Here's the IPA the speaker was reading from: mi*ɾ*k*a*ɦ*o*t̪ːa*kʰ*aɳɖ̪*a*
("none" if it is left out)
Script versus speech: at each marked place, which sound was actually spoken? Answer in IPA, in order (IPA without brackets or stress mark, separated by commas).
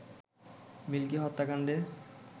l, i, ɔ, k, e